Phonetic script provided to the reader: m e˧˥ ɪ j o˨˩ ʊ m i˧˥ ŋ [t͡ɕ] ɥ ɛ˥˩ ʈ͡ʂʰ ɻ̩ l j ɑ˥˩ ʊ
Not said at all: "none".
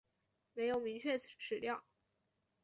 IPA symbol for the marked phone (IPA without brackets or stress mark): t͡ɕʰ